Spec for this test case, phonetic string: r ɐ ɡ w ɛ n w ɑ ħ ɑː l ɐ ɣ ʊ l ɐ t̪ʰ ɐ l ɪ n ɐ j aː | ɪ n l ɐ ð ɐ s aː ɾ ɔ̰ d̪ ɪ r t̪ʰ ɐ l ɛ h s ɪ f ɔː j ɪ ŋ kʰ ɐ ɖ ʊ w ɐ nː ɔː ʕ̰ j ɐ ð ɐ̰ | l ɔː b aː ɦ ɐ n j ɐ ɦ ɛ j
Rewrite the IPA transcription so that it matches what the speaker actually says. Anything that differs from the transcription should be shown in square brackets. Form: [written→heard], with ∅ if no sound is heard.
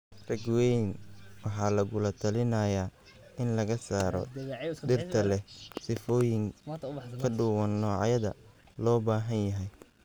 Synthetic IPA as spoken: r ɐ ɡ w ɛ n w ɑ ħ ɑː l ɐ ɣ ʊ l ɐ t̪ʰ ɐ l ɪ n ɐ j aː | ɪ n l ɐ [ð→ɣ] ɐ s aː ɾ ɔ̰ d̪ ɪ r t̪ʰ ɐ l ɛ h s ɪ f ɔː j ɪ ŋ kʰ ɐ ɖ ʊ w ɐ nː ɔː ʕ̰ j ɐ ð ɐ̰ | l ɔː b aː ɦ ɐ n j ɐ ɦ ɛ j